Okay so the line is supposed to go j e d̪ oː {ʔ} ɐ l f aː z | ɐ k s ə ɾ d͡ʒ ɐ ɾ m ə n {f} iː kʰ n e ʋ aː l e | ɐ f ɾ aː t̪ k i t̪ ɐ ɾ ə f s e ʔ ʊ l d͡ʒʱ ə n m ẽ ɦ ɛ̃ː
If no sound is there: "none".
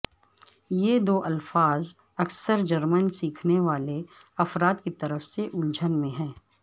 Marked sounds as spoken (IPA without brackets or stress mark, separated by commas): ʔ, s